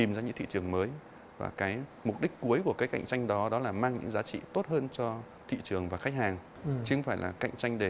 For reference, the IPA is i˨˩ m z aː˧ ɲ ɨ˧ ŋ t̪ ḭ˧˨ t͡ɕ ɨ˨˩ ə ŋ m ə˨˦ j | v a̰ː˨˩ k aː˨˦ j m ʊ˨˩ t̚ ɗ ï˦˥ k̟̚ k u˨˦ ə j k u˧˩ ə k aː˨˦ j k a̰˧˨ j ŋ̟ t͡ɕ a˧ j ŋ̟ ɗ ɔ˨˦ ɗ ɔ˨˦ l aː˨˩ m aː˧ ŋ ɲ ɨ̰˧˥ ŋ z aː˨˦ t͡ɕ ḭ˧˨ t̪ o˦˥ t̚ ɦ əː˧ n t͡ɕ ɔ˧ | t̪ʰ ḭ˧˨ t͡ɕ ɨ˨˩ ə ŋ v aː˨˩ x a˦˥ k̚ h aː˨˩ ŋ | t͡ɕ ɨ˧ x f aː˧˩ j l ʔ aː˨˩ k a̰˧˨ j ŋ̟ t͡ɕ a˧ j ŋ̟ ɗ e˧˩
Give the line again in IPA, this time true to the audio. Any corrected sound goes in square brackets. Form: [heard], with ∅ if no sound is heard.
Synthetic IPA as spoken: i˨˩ m z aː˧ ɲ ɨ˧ ŋ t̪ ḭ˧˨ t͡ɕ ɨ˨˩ ə ŋ m [əː˨˦] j | v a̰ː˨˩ k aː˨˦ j m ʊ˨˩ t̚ ɗ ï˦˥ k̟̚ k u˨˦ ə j k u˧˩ ə k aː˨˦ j k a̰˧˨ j ŋ̟ t͡ɕ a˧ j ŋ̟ ɗ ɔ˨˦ ɗ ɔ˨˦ l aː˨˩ m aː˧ ŋ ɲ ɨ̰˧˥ ŋ z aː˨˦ t͡ɕ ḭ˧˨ t̪ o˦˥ t̚ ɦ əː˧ n t͡ɕ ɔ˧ | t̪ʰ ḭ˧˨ t͡ɕ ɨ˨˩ ə ŋ v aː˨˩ x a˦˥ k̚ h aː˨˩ ŋ | t͡ɕ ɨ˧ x f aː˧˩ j l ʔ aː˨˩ k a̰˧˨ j ŋ̟ t͡ɕ a˧ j ŋ̟ ɗ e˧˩